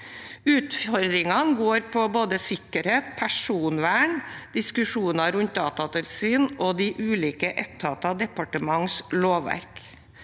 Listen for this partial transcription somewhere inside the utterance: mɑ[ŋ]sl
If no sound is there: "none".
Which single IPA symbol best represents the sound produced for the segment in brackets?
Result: ŋ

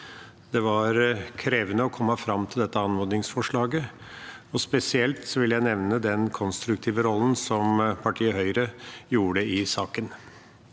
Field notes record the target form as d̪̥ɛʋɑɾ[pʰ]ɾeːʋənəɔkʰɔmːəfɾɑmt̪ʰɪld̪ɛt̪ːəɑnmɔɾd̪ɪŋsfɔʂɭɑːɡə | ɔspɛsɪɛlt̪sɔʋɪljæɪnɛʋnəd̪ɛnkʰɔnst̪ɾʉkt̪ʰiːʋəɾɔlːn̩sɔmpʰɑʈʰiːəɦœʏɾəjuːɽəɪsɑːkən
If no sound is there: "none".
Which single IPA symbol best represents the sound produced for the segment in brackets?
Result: kʰ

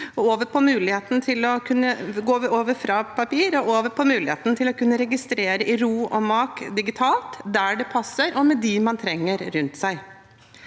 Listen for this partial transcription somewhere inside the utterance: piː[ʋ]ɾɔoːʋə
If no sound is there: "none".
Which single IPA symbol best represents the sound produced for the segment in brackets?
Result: none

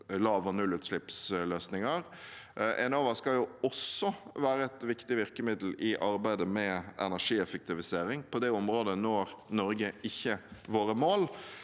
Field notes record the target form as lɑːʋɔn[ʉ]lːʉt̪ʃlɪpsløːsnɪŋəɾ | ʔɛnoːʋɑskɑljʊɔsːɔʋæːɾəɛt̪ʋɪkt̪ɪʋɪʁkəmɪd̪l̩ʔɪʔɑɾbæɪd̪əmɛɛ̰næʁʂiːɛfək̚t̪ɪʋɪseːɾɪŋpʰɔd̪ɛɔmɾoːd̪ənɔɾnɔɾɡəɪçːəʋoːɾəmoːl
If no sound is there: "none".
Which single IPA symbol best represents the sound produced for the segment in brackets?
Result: ʉ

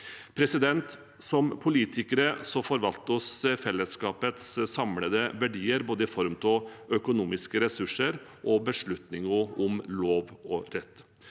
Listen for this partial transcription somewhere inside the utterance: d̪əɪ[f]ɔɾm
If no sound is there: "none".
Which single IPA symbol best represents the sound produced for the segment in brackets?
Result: f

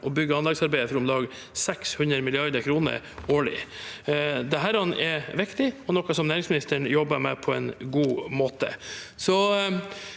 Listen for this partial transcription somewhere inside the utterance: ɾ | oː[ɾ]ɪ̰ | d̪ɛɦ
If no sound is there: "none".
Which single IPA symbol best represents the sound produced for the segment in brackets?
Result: ɭ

